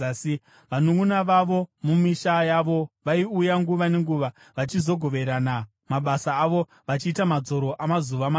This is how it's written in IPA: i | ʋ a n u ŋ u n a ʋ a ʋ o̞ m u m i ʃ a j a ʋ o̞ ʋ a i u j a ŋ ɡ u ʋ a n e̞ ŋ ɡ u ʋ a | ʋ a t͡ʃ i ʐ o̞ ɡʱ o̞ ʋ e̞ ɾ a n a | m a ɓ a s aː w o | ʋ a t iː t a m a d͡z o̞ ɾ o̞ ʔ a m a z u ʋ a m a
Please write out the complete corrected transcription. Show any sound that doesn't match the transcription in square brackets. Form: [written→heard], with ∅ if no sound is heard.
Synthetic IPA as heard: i | ʋ a n u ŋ u n a ʋ a ʋ o̞ m u m i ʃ a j a ʋ o̞ ʋ a i u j a ŋ ɡ u ʋ a n e̞ ŋ ɡ u ʋ a | ʋ a t͡ʃ i [ʐ→z] o̞ ɡʱ o̞ ʋ e̞ ɾ a n a | m a ɓ a s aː [w→ʋ] o | ʋ a [t→t͡ʃ] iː t a m a d͡z o̞ ɾ o̞ ʔ a m a z u ʋ a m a

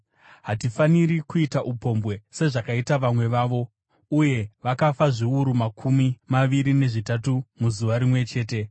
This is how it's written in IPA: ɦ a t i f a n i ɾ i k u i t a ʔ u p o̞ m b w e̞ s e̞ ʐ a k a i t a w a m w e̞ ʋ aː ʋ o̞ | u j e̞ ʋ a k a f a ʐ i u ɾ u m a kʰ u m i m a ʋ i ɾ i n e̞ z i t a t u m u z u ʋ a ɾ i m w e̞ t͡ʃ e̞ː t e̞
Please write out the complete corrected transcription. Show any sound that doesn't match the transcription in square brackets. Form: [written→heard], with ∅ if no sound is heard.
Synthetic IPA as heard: ɦ a t i f a n i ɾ i k u i t a ʔ u p o̞ m b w e̞ s e̞ ʐ a k a i t a [w→ʋ] a m w e̞ ʋ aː ʋ o̞ | u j e̞ ʋ a k a f a ʐ i u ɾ u m a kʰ u m i m a ʋ i ɾ i n e̞ [z→ʐ] i t a t u m u z u ʋ a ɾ i m w e̞ t͡ʃ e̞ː t e̞

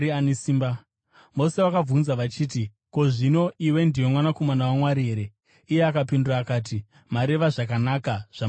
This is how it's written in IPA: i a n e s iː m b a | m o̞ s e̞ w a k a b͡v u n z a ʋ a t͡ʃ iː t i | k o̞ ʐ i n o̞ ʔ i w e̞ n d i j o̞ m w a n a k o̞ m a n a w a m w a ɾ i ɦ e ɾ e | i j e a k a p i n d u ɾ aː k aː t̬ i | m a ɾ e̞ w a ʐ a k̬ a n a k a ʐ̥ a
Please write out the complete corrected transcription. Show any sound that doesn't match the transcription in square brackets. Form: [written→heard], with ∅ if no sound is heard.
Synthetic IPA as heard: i a n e s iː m b a | m o̞ s e̞ w a k a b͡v u n z a ʋ a t͡ʃ iː t i | k o̞ ʐ i n o̞ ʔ i w e̞ n d i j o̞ m w a n a k o̞ m a n a w a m w a ɾ i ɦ e ɾ e | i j e a k a p i n d u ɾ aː k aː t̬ i | m a ɾ e̞ [w→ʋ] a ʐ a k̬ a n a k a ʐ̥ a

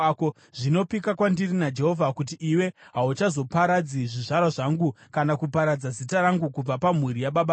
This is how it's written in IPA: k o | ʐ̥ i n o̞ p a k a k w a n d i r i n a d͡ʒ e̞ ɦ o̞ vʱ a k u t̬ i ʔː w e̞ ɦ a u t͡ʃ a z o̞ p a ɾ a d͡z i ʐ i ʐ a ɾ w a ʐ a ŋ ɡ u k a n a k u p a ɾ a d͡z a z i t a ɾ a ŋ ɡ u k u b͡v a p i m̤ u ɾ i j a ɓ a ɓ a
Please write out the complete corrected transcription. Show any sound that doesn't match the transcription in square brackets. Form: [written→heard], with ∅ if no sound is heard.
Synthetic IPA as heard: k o | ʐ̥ i n o̞ p [a→i] k a k w a n d i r i n a d͡ʒ e̞ ɦ o̞ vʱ a k u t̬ i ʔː w e̞ ɦ a u t͡ʃ a z o̞ p a ɾ a d͡z i ʐ i ʐ a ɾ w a ʐ a ŋ ɡ u k a n a k u p a ɾ a d͡z a z i t a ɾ a ŋ ɡ u k u b͡v a p [i→a] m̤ u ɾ i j a ɓ a ɓ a

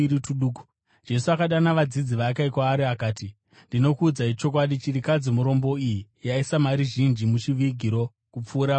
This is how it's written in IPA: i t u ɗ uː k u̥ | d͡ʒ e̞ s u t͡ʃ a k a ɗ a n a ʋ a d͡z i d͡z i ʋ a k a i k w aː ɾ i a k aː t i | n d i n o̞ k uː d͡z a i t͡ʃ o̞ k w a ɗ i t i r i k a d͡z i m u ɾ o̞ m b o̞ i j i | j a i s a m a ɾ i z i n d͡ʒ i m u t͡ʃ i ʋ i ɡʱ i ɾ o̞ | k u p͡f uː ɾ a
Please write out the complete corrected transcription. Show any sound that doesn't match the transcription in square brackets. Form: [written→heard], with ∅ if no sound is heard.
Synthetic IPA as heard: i t u ɗ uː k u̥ | d͡ʒ e̞ s u [t͡ʃ→∅] a k a ɗ a n a ʋ a d͡z i d͡z i ʋ a k a i k w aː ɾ i a k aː t i | n d i n o̞ k uː d͡z a i t͡ʃ o̞ k w a ɗ i [t→t͡ʃ] i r i k a d͡z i m u ɾ o̞ m b o̞ i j i | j a i s a m a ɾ i [z→ʒ] i n d͡ʒ i m u t͡ʃ i ʋ i ɡʱ i ɾ o̞ | k u p͡f uː ɾ a

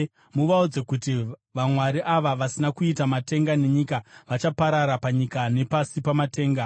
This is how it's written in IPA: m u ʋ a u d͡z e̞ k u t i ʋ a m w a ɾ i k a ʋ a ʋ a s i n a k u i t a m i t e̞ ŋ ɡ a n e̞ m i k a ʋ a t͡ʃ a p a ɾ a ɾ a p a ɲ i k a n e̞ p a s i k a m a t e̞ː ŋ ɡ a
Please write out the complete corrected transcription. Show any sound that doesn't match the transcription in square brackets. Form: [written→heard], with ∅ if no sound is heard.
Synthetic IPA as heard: m u ʋ a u d͡z e̞ k u t i ʋ a m w a ɾ i [k→ʔ] a ʋ a ʋ a s i n a k u i t a m [i→a] t e̞ ŋ ɡ a n e̞ [m→ɲ] i k a ʋ a t͡ʃ a p a ɾ a ɾ a p a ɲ i k a n e̞ p a s i [k→p] a m a t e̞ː ŋ ɡ a

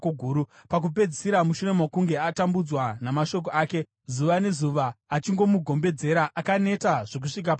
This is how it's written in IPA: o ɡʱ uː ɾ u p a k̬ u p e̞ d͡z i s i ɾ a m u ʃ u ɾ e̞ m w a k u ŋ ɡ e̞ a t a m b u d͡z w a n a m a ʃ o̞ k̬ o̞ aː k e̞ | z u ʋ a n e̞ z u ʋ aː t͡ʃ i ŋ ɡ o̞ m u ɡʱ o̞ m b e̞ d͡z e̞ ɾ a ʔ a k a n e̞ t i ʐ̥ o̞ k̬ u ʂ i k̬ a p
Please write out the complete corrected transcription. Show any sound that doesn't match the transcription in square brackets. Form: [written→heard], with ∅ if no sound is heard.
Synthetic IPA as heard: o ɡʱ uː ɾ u p a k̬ u p e̞ d͡z i s i ɾ a m u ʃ u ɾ e̞ m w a k u ŋ ɡ e̞ a t a m b u d͡z w a n a m a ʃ o̞ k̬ o̞ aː k e̞ | z u ʋ a n e̞ z u ʋ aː t͡ʃ i ŋ ɡ o̞ m u ɡʱ o̞ m b e̞ d͡z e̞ ɾ a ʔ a k a n e̞ t [i→a] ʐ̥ o̞ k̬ u ʂ i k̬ a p

